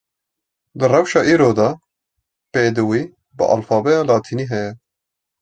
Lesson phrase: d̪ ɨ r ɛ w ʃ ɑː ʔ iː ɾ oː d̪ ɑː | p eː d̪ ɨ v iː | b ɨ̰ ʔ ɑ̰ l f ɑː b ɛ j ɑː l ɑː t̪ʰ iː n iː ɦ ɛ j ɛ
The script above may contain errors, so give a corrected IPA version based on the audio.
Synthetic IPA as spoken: d̪ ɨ r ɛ w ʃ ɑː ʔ iː ɾ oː d̪ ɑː | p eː d̪ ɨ w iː | b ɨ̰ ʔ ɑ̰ l f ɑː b ɛ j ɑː l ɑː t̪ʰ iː n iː ɦ ɛ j ɛ